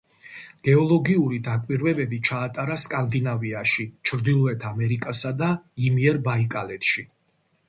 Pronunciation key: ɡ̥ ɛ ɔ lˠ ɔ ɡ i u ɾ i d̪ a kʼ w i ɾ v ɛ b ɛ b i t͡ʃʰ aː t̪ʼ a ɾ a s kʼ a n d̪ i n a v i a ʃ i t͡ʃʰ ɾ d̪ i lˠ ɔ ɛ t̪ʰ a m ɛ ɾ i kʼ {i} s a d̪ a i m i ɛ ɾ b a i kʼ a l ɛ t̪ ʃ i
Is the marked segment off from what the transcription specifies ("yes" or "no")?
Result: yes